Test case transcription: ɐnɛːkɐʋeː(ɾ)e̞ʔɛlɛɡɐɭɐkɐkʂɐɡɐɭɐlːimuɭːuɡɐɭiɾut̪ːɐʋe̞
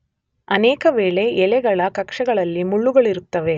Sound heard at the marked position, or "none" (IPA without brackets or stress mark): ɭ